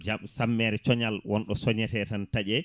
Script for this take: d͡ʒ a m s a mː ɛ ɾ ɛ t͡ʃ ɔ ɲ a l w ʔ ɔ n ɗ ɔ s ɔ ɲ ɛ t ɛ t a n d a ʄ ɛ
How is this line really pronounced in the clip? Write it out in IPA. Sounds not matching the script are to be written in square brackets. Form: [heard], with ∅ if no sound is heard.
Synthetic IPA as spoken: d͡ʒ a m s a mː ɛ ɾ ɛ t͡ʃ ɔ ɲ a l w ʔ ɔ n ɗ ɔ s ɔ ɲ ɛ t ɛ t a n [t] a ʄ ɛ